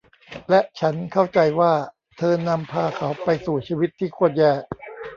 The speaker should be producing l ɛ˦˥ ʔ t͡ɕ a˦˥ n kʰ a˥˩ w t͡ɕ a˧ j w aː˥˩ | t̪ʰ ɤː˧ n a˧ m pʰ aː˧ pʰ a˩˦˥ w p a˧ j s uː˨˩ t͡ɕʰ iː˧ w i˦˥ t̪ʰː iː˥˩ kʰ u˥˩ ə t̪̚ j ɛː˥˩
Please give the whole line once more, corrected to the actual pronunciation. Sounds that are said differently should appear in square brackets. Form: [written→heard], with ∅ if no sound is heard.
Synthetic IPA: l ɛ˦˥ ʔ [t͡ɕ→t͡ɕʰ] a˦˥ n kʰ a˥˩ w t͡ɕ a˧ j w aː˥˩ | t̪ʰ ɤː˧ n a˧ m pʰ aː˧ [pʰ→kʰ] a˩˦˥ w p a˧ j s uː˨˩ t͡ɕʰ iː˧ w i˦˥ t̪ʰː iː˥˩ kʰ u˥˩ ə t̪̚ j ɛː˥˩